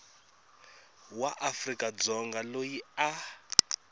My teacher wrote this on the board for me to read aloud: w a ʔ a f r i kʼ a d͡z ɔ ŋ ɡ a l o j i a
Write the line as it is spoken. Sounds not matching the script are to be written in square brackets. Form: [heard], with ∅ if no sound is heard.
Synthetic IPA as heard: w a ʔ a f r i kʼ a d͡z ɔ ŋ ɡ a l o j i a